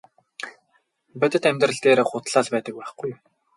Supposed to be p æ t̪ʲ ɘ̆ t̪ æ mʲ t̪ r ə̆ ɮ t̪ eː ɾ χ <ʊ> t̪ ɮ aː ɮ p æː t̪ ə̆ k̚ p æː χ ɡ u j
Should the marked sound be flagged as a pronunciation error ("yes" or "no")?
no